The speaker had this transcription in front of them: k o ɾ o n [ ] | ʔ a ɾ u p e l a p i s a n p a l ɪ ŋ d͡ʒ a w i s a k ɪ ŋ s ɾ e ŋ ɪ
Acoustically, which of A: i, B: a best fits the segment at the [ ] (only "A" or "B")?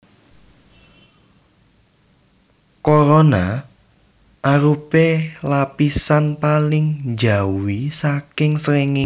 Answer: B